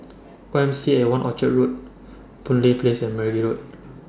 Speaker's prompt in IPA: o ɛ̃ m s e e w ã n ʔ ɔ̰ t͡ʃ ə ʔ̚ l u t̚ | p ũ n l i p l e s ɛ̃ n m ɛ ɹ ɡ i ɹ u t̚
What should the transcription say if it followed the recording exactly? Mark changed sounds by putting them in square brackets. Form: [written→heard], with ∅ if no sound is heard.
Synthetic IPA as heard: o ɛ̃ m s [e→i] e w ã n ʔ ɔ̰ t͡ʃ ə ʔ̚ [l→ɹ] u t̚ | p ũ n l i p l e s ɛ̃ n m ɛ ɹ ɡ i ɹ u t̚